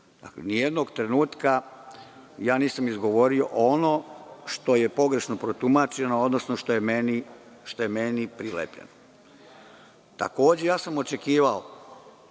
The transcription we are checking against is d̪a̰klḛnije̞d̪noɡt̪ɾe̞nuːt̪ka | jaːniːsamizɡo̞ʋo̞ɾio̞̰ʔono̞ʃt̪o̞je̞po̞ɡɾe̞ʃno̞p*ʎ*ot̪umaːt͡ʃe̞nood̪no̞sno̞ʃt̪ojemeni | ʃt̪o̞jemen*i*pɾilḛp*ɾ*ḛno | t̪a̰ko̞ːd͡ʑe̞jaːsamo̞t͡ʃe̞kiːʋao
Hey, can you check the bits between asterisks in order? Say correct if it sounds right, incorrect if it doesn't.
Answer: incorrect, correct, incorrect

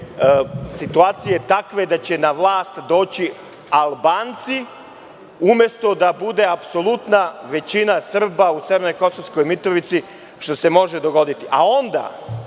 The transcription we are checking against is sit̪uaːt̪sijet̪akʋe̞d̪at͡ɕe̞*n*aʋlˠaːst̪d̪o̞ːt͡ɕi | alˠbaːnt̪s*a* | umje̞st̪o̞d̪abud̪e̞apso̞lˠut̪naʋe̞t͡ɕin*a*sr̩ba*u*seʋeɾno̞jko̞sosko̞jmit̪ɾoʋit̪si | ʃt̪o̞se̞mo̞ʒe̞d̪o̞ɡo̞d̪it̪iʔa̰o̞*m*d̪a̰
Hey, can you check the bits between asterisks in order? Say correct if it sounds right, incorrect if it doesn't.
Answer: correct, incorrect, correct, correct, incorrect

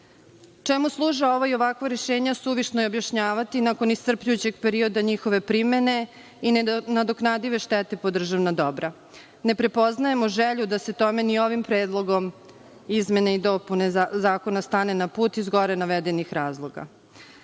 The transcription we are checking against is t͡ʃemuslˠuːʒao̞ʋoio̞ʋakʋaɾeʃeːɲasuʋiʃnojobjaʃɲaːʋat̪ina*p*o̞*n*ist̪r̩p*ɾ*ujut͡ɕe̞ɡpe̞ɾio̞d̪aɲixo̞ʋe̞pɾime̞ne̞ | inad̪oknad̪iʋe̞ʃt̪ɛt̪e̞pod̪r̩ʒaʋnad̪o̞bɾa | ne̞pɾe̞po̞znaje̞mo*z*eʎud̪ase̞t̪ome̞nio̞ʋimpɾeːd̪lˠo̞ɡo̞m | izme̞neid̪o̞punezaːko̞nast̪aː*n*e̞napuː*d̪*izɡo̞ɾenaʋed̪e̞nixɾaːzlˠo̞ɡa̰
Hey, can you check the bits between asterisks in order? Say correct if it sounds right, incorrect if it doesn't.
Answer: incorrect, correct, incorrect, incorrect, correct, incorrect

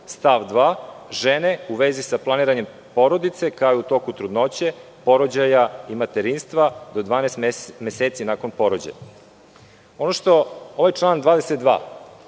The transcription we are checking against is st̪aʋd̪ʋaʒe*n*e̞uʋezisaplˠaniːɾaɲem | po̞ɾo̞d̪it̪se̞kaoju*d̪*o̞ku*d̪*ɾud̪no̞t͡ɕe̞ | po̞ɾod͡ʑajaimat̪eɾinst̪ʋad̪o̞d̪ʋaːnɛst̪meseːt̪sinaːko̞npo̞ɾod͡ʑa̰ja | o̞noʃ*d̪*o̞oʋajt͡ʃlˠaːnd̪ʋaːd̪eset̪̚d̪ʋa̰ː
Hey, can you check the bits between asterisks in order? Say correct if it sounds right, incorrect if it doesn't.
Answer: correct, incorrect, incorrect, incorrect

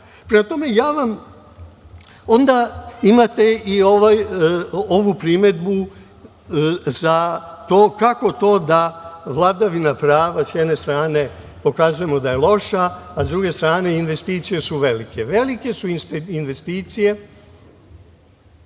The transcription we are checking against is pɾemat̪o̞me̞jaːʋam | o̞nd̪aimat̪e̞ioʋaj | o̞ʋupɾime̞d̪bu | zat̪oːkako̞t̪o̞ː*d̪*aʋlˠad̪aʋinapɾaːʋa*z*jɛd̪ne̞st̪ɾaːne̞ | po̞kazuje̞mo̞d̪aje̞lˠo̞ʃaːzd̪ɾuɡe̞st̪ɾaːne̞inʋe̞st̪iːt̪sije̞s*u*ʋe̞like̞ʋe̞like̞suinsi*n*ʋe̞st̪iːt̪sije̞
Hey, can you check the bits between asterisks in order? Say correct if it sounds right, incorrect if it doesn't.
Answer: correct, incorrect, correct, correct

